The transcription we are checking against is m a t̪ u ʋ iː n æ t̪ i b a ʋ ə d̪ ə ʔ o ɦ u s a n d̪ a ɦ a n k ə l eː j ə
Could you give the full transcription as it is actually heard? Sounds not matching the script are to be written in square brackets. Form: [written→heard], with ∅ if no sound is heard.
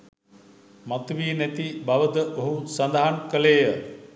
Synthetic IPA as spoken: m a t̪ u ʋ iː n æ t̪ i b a ʋ ə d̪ ə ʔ o ɦ u s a n d̪ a ɦ a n k ə l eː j ə